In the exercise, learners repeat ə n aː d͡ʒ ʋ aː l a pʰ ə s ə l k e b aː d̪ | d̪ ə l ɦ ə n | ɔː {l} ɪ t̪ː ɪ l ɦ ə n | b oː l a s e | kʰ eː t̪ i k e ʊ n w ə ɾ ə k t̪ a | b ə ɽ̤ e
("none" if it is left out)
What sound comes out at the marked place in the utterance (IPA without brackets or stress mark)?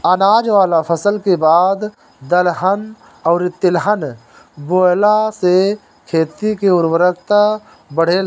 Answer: ɾ